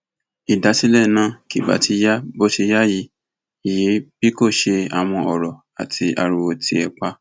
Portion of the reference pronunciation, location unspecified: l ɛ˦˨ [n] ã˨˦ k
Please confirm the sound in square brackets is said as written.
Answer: yes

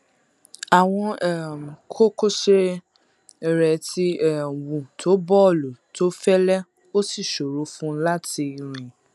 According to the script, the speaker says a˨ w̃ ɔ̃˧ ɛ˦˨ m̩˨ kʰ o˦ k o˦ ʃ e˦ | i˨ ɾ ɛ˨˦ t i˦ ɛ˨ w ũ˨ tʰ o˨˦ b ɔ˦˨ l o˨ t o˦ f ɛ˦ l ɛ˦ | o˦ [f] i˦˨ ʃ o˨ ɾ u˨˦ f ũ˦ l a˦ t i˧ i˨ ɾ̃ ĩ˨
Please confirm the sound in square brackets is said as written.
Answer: no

